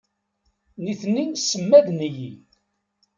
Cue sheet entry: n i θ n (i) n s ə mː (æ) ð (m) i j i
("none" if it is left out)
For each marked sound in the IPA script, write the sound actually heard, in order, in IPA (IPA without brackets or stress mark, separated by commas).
i, æ, n